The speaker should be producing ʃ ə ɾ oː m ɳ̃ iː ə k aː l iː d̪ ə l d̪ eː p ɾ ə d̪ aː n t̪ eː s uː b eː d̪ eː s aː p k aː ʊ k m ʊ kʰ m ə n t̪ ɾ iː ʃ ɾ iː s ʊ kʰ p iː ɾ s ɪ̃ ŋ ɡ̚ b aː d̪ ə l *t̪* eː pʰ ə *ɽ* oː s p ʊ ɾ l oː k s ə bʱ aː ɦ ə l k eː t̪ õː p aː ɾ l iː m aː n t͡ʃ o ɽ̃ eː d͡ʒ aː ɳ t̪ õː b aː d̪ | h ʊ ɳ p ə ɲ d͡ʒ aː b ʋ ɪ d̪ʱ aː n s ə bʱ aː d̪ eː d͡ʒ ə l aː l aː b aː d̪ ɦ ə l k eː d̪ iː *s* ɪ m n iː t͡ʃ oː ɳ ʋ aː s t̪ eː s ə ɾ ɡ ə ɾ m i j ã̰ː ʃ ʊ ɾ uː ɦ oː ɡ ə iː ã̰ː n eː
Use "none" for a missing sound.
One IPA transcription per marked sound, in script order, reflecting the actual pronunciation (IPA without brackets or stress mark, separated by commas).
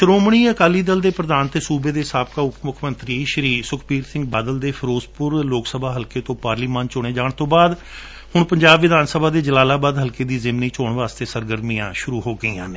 d̪, ɾ, z